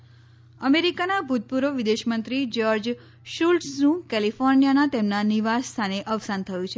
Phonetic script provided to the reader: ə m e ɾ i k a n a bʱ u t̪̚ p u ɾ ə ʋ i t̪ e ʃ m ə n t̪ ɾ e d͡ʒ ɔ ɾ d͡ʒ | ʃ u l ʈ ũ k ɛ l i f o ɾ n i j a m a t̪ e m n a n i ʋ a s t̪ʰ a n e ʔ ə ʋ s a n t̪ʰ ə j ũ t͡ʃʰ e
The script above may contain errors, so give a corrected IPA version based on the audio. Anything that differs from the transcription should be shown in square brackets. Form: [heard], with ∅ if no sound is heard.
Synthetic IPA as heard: ə m e ɾ i k a n a bʱ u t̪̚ p u ɾ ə ʋ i [d̪] e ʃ m ə n t̪ ɾ [i] d͡ʒ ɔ ɾ d͡ʒ | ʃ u l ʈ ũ k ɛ l i f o ɾ n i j a [n] a t̪ e m n a n i ʋ a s t̪ʰ a n e ʔ ə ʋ s a n t̪ʰ ə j ũ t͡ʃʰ e